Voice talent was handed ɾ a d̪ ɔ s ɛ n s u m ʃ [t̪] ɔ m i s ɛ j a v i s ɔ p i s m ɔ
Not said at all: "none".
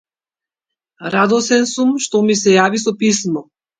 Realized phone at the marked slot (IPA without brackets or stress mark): t̪